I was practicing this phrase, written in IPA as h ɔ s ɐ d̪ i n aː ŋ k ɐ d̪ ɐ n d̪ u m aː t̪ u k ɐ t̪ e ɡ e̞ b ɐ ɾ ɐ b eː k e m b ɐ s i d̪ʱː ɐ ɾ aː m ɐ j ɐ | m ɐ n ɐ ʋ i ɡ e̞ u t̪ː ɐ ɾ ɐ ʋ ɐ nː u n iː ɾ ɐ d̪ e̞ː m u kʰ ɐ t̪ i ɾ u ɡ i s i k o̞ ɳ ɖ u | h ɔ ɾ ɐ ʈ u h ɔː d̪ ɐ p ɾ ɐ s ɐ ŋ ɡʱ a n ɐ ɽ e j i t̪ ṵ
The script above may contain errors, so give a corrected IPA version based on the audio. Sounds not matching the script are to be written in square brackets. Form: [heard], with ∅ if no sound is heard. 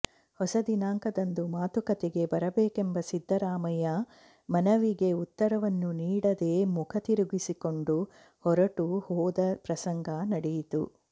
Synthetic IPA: h ɔ s ɐ d̪ i n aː ŋ k ɐ d̪ ɐ n d̪ u m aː t̪ u k ɐ t̪ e ɡ e̞ b ɐ ɾ ɐ b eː k e m b ɐ s i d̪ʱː ɐ ɾ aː m ɐ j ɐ | m ɐ n ɐ ʋ i ɡ e̞ u t̪ː ɐ ɾ ɐ ʋ ɐ nː u n iː [ɽ] ɐ d̪ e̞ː m u kʰ ɐ t̪ i ɾ u ɡ i s i k o̞ ɳ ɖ u | h ɔ ɾ ɐ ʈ u h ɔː d̪ ɐ p ɾ ɐ s ɐ ŋ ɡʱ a n ɐ ɽ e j i t̪ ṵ